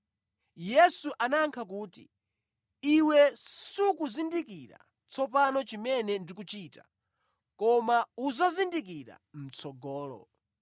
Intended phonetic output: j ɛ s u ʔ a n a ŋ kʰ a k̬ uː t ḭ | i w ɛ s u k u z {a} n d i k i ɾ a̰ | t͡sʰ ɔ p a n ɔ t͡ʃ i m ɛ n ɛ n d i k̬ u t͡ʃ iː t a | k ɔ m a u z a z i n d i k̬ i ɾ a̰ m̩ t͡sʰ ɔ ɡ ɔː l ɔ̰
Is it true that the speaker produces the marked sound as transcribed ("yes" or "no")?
no